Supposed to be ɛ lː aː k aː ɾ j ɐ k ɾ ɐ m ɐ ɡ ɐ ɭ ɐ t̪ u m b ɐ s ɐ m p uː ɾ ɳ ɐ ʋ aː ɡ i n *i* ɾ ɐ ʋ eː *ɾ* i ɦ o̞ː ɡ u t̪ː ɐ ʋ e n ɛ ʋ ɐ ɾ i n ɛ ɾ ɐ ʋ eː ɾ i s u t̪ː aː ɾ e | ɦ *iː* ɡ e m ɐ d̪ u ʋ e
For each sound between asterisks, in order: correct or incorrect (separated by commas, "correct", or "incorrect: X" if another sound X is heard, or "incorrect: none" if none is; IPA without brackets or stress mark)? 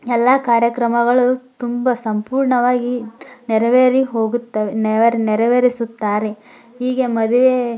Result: incorrect: ɛ, correct, correct